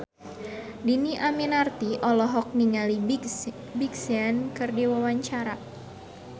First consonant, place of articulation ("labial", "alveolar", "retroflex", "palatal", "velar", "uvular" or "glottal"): alveolar